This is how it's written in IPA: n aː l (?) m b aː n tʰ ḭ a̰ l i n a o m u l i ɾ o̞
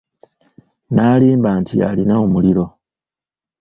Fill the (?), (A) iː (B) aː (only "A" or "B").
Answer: A